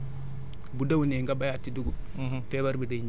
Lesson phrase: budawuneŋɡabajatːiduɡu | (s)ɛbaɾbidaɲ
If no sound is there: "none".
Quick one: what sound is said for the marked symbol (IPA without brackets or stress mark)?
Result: f